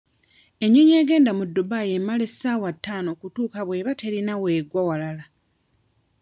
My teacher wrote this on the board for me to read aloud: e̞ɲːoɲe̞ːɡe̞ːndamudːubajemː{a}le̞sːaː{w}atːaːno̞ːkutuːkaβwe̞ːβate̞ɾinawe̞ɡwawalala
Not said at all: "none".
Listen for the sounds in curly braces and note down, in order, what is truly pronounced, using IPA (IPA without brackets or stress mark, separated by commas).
a, w